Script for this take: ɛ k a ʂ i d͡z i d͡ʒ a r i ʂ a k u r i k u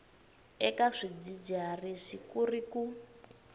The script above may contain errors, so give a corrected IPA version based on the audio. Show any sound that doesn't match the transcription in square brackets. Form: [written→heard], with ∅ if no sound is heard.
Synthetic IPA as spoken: ɛ k a ʂ i d͡z i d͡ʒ a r i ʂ [a→i] k u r i k u